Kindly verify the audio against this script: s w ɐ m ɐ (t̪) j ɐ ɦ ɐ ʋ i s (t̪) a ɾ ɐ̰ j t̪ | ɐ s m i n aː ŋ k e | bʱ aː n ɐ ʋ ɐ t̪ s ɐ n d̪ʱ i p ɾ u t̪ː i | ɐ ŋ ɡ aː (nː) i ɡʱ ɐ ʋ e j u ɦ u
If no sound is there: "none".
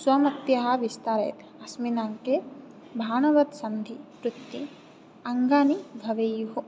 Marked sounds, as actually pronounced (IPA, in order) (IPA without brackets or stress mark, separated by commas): t̪, t̪, n